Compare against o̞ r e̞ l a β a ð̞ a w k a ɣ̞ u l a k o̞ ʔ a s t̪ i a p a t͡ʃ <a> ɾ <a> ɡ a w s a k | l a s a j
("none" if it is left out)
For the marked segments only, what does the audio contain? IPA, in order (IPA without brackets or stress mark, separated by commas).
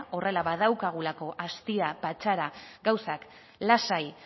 a, a